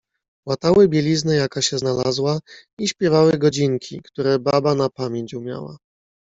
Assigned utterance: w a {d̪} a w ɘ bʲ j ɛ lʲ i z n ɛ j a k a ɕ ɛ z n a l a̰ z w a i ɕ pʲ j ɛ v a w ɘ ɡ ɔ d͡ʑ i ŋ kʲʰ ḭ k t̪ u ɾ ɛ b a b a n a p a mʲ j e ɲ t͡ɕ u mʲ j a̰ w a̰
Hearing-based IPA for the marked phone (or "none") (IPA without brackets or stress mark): t̪